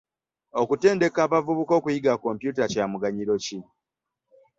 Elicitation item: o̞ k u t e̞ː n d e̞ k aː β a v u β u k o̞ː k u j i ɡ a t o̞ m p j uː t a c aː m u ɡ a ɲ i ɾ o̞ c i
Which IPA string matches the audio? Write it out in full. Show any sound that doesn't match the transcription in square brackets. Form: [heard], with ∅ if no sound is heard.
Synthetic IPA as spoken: o̞ k u t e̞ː n d e̞ k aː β a v u β u k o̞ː k u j i ɡ a [k] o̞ m p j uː t a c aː m u ɡ a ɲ i ɾ o̞ c i